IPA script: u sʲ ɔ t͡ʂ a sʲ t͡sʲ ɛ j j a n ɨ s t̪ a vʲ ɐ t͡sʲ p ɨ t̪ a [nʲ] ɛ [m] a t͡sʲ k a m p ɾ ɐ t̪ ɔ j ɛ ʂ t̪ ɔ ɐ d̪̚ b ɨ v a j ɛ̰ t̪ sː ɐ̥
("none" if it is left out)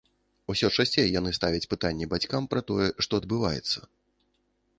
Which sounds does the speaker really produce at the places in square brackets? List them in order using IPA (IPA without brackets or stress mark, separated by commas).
nʲː, b